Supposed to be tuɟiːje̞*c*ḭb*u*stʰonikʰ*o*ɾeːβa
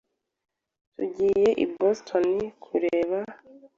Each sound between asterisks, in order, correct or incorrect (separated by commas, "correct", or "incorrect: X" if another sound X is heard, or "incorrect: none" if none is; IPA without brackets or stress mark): incorrect: ʔ, incorrect: o, incorrect: u